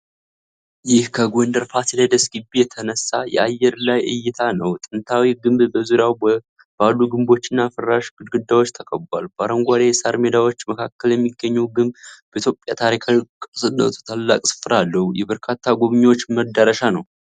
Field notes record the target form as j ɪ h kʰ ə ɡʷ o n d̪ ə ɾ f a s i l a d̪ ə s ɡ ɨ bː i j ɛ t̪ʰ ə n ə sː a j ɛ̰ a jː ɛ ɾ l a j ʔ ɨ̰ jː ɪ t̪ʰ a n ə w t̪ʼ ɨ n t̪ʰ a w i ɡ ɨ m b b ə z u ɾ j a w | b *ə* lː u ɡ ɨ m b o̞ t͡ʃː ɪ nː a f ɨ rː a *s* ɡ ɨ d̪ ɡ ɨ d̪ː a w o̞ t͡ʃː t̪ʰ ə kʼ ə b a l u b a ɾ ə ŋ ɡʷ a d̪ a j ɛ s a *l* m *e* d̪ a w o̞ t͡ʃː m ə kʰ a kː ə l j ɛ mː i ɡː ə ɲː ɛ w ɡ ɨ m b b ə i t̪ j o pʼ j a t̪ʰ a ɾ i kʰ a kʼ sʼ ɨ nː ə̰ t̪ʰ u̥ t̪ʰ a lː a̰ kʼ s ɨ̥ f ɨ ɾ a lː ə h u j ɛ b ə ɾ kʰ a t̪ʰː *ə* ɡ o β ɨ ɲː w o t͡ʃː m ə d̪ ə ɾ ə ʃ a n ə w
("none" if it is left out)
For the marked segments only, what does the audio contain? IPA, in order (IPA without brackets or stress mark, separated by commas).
a, ʃ, ɾ, e, a